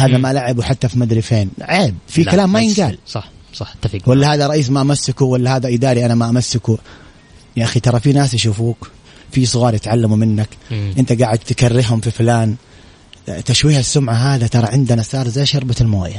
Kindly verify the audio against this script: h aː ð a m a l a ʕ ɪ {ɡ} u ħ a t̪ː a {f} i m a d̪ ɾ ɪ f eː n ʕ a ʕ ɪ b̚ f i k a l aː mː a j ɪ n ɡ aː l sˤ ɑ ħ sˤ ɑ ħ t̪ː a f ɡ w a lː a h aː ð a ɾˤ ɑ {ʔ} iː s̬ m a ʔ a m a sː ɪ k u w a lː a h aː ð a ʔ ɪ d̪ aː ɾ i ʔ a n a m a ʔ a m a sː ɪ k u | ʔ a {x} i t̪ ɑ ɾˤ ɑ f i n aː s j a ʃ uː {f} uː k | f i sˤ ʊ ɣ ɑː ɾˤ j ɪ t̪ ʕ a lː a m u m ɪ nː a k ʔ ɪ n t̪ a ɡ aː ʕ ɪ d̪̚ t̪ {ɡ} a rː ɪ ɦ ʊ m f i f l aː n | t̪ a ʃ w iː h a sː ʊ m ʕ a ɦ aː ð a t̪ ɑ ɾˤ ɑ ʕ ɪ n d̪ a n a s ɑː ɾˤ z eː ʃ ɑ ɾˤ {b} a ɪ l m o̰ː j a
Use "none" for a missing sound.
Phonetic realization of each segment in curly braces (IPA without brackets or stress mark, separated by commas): b, f, ʔ, x, f, k, b